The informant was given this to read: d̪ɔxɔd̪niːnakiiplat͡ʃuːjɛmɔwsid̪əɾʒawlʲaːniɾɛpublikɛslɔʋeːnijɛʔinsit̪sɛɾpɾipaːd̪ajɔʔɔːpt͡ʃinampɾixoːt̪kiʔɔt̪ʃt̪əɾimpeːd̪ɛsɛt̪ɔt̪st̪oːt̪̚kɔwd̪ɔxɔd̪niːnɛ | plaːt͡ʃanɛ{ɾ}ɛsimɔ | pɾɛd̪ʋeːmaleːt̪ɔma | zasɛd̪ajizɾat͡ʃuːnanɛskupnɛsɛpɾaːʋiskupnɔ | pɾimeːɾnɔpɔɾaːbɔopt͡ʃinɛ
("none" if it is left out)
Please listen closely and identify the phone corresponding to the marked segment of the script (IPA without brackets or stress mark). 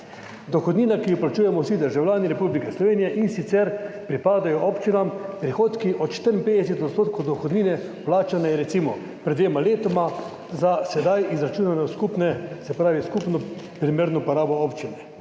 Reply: ɾ